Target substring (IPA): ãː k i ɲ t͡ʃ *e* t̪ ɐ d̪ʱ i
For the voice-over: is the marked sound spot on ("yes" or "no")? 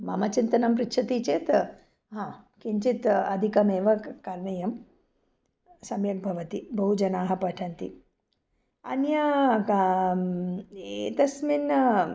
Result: no